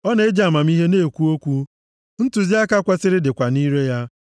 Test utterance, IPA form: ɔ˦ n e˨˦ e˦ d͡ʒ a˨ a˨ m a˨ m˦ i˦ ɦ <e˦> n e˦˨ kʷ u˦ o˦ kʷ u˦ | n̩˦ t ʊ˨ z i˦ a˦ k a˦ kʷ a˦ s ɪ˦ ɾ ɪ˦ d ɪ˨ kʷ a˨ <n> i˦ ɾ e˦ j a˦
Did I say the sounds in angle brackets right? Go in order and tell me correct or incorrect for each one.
correct, correct

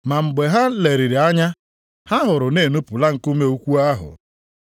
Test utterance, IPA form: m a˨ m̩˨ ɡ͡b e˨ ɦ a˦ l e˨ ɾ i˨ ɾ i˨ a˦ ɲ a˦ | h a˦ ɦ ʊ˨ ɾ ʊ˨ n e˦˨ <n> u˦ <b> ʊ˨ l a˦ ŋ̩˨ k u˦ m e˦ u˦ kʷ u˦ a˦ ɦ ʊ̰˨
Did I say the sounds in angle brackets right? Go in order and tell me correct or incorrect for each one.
correct, incorrect: p

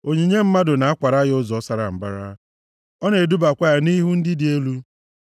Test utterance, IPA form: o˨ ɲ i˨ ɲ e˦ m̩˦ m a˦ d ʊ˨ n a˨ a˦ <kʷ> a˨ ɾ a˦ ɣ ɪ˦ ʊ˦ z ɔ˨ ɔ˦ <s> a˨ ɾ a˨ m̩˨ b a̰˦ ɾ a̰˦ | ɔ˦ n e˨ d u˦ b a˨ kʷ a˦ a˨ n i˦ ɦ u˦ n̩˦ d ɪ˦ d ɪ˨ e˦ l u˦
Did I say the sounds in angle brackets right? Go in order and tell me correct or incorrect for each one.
correct, correct

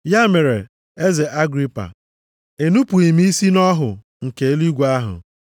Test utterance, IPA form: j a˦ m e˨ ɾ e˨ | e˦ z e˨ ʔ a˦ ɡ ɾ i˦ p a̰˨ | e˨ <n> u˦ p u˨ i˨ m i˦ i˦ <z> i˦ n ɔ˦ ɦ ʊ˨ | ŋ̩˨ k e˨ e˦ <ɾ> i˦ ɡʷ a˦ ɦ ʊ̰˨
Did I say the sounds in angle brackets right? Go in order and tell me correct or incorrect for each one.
correct, incorrect: s, incorrect: l

